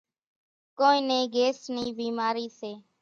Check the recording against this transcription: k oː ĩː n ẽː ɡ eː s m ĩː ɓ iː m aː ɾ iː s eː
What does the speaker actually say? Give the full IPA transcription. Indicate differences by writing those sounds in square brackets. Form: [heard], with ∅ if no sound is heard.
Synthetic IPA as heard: k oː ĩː n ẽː ɡ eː s [n] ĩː [b] iː m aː ɾ iː s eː